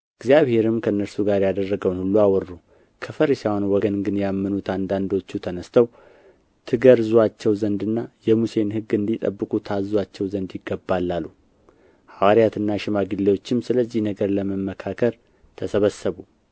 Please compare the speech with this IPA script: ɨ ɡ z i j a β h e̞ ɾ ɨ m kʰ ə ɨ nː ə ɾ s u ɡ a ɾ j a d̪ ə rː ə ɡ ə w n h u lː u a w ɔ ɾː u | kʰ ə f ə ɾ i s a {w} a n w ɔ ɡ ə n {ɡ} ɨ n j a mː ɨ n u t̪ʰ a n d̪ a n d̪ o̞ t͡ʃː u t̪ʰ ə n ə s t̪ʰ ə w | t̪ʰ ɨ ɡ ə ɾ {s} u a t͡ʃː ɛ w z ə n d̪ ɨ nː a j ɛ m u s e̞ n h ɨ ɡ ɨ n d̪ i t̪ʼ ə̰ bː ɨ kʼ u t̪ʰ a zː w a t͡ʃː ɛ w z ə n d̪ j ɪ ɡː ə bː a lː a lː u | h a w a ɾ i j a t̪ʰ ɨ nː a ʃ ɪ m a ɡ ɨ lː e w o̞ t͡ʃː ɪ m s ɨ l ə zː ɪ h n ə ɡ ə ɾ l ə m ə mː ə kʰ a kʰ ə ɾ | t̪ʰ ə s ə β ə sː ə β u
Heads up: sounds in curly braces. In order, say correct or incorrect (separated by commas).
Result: correct, correct, incorrect